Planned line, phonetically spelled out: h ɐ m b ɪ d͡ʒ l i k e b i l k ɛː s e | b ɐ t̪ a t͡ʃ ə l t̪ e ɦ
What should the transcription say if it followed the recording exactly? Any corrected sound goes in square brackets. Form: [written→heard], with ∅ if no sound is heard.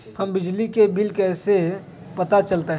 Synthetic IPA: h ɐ m b ɪ d͡ʒ l i k e b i l k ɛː s e | [b→p] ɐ t̪ a t͡ʃ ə l t̪ e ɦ